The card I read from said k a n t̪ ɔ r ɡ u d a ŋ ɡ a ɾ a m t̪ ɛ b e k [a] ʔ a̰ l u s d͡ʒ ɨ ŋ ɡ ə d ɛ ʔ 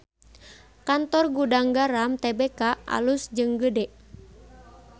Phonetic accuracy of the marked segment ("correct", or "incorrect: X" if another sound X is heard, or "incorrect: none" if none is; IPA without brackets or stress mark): correct